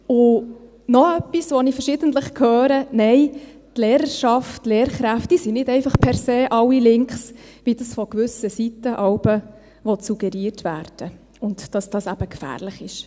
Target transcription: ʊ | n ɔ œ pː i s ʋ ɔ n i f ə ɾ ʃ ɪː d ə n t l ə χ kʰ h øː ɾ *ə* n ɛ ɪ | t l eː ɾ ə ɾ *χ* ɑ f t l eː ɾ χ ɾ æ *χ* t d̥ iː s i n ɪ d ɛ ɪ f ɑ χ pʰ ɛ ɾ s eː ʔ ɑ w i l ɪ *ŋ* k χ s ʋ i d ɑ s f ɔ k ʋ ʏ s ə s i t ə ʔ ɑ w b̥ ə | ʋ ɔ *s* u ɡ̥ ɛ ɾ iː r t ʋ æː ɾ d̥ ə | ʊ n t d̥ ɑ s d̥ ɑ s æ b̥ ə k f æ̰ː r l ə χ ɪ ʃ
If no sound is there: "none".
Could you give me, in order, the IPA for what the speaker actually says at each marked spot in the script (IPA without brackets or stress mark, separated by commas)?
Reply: ə, ʃ, f, ŋ, s